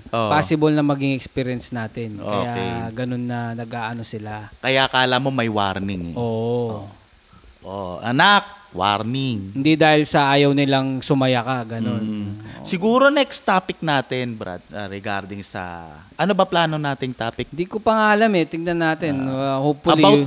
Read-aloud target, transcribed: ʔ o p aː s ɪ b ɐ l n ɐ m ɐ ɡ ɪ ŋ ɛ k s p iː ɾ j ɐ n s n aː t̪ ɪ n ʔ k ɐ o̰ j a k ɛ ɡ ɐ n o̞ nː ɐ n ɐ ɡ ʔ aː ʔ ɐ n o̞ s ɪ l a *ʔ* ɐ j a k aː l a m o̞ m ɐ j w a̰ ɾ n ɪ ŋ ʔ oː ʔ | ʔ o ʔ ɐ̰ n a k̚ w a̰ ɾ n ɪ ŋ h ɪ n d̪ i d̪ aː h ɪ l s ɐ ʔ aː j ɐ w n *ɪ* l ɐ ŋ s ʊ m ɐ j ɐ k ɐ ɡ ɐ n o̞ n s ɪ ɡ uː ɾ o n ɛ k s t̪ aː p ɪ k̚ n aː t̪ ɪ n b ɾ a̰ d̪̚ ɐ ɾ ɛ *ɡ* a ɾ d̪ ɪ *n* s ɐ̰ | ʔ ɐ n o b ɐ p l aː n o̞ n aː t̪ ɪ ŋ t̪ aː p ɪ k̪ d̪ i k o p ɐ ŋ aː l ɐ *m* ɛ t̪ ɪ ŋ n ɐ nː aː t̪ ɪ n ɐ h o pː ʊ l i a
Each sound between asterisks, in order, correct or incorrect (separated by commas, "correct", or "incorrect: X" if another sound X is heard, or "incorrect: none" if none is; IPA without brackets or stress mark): incorrect: k, correct, correct, incorrect: ŋ, correct